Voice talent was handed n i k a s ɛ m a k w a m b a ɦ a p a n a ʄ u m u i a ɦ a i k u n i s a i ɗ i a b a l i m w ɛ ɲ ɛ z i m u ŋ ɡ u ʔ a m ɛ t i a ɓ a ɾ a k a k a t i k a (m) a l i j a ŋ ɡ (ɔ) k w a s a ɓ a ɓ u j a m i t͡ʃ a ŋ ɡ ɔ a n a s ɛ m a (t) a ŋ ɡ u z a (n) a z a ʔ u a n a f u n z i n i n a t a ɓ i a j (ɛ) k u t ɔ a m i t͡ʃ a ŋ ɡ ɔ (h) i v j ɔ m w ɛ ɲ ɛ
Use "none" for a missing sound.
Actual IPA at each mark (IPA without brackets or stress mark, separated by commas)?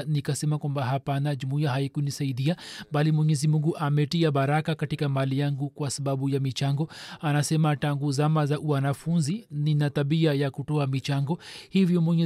m, u, t, m, a, h